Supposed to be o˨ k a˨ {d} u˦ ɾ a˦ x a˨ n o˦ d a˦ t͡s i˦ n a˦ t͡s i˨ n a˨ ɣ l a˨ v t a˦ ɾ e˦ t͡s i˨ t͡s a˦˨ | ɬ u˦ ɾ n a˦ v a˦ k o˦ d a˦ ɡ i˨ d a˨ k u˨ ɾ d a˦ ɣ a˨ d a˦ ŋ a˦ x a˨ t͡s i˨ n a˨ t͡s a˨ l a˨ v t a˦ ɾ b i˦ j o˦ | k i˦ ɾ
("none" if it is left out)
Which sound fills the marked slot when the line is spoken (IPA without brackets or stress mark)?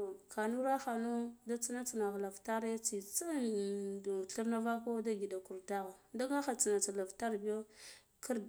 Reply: n